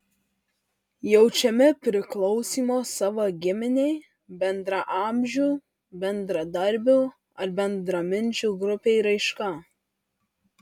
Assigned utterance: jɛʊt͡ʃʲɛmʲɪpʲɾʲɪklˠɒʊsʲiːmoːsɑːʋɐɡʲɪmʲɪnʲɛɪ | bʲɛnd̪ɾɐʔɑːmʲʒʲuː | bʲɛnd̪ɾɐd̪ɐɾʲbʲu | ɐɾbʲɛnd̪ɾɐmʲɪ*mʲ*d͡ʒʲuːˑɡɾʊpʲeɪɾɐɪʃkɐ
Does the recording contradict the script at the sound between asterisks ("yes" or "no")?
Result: yes